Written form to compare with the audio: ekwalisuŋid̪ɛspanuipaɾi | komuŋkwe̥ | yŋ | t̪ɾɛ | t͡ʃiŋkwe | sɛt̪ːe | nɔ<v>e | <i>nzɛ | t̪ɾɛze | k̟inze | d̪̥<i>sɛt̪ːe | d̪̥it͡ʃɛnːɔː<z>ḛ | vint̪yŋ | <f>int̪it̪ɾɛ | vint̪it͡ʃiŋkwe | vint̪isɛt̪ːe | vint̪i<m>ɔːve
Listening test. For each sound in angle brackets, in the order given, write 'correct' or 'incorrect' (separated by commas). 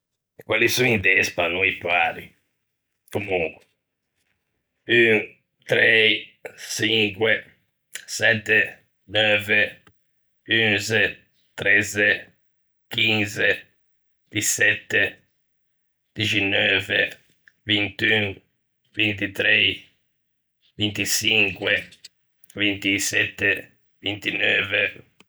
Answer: correct, incorrect, correct, incorrect, incorrect, incorrect